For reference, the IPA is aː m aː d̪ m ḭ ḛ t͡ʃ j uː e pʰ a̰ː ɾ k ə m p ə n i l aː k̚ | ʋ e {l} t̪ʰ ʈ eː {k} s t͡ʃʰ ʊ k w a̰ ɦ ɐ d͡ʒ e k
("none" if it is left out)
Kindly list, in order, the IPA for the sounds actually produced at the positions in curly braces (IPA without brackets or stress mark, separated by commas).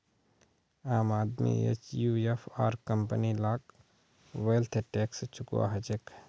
l, k